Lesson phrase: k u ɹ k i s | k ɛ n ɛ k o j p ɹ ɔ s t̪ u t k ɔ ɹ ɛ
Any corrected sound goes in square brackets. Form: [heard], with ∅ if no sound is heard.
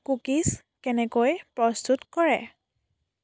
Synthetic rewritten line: k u [∅] k i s | k ɛ n ɛ k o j p ɹ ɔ s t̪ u t k ɔ ɹ ɛ